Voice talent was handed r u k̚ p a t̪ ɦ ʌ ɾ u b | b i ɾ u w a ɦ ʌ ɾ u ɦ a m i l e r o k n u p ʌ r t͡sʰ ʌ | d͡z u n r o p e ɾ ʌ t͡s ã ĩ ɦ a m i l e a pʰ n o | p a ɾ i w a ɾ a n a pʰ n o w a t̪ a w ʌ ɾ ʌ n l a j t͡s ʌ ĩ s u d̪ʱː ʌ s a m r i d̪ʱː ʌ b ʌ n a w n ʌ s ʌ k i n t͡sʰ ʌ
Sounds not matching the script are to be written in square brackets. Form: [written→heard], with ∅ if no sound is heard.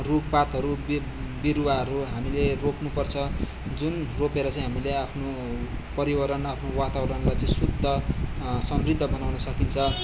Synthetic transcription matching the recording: r u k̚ p a t̪ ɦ ʌ ɾ u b | b i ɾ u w a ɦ ʌ ɾ u ɦ a m i l e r o k n u p ʌ r t͡sʰ ʌ | d͡z u n r o p e ɾ ʌ t͡s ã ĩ ɦ a m i l e a pʰ n o | p [a→ʌ] ɾ i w [a→ʌ] ɾ [a→ʌ] n a pʰ n o w a t̪ a w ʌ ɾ ʌ n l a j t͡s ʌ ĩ s u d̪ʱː ʌ s [a→ʌ] m r i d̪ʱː ʌ b ʌ n a w n ʌ s ʌ k i n t͡sʰ ʌ